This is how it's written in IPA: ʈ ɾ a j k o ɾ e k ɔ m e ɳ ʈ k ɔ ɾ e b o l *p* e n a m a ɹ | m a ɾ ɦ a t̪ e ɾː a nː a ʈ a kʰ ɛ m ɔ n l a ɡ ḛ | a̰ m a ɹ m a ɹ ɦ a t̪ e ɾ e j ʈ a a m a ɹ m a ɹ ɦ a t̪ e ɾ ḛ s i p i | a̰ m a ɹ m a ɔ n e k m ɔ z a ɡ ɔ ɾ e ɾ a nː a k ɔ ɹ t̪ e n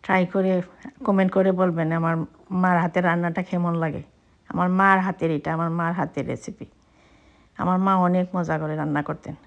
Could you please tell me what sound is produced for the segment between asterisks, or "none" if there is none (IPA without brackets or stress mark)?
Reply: b